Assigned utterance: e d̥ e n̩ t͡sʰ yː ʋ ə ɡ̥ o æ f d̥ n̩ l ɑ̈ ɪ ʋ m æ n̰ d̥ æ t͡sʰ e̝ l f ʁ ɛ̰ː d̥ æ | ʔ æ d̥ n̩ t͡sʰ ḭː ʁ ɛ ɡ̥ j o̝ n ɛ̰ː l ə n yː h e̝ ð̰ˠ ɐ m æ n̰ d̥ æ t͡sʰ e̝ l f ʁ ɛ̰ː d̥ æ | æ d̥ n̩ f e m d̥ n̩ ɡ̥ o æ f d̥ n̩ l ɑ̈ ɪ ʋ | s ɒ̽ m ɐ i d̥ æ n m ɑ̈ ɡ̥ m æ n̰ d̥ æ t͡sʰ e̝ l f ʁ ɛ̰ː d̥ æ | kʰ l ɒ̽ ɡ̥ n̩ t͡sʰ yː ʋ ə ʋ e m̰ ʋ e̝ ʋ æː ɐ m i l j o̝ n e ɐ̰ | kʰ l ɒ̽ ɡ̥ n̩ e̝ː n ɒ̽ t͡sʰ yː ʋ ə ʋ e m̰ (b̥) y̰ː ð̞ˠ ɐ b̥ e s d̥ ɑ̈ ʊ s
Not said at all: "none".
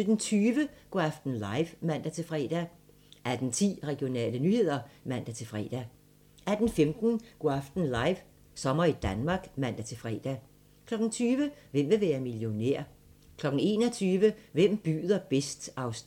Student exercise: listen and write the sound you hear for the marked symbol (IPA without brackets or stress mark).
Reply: b̥